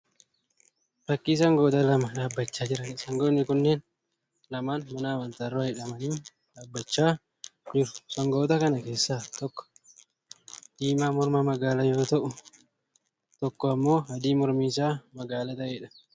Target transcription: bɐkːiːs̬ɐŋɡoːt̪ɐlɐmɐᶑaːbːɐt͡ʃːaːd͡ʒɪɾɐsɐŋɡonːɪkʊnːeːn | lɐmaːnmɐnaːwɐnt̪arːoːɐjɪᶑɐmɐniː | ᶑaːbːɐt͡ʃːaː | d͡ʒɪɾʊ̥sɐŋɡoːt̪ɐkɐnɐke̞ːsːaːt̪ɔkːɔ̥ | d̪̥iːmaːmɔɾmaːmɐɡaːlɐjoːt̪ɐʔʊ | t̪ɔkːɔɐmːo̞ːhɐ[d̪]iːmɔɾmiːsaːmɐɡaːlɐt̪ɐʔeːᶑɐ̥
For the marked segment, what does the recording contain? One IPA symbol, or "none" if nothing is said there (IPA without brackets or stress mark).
d̪